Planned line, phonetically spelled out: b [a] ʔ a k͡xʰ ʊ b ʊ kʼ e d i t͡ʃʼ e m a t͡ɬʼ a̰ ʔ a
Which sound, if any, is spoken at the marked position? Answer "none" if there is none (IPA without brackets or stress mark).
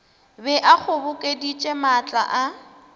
ɛ